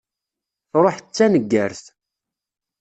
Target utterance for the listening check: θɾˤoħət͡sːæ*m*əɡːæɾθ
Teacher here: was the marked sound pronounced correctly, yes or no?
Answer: no